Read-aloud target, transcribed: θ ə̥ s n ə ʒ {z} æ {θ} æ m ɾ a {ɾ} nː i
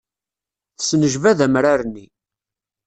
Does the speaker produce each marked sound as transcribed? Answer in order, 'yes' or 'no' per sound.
no, no, yes

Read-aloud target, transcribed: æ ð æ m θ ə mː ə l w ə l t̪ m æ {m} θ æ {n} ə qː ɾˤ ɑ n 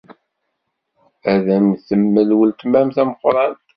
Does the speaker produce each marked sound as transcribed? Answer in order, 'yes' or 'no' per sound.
yes, no

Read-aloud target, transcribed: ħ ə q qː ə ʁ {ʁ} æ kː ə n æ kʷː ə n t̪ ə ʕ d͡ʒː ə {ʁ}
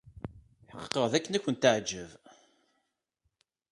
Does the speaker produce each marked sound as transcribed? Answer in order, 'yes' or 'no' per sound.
no, no

